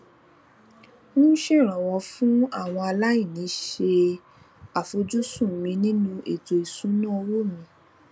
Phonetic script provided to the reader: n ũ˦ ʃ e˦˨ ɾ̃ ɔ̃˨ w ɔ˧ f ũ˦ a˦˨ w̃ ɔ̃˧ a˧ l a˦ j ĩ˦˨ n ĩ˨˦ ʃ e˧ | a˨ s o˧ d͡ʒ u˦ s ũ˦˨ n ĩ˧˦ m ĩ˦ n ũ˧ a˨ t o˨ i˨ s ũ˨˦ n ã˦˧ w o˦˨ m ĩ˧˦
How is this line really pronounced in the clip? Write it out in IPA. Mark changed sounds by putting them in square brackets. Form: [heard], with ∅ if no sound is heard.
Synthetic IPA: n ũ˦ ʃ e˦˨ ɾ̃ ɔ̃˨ w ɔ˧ f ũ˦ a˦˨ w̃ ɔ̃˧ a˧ l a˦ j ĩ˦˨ n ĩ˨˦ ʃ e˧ | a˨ [f] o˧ d͡ʒ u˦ s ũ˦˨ [m] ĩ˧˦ [n] ĩ˦ n ũ˧ [e˨] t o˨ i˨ s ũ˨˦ n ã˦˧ w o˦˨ m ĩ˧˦